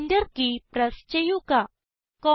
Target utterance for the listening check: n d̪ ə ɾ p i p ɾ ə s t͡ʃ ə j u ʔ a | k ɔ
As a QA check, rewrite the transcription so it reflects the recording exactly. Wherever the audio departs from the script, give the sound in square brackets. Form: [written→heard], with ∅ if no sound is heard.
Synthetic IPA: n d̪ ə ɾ [p→k] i p ɾ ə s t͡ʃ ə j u [ʔ→k] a | k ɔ

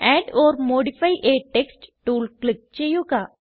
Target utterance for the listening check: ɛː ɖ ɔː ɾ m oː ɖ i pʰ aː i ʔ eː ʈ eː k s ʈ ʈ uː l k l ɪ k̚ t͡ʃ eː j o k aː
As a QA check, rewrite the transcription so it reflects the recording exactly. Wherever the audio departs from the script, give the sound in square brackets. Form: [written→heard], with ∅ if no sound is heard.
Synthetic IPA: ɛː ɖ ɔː ɾ m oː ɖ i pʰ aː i ʔ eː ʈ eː k s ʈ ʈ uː l k l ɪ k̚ t͡ʃ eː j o k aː

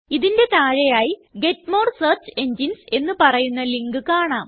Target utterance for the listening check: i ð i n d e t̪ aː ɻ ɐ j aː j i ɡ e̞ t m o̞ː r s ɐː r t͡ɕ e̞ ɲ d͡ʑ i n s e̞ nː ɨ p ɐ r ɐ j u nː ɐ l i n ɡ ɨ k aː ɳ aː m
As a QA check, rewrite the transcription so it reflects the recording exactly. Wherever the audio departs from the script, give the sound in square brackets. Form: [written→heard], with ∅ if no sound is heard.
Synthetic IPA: i ð i n d e t̪ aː ɻ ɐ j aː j i ɡ e̞ t m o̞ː r s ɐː r t͡ɕ e̞ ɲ d͡ʑ i n s e̞ nː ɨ p ɐ r ɐ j u nː ɐ l i [n→ŋ] ɡ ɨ k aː ɳ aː m

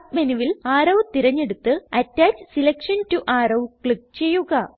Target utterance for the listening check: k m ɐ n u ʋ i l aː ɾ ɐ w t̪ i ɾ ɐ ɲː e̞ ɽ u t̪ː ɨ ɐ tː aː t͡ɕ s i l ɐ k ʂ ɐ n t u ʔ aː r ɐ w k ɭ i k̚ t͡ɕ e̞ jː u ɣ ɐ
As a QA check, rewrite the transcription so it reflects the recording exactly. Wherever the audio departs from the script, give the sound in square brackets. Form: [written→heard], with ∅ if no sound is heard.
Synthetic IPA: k m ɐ n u ʋ i l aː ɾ ɐ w t̪ i ɾ ɐ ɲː e̞ ɽ u t̪ː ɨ ɐ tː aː t͡ɕ s i l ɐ k ʂ ɐ n t u ʔ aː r ɐ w k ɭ i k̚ t͡ɕ e̞ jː u ɣ ɐ

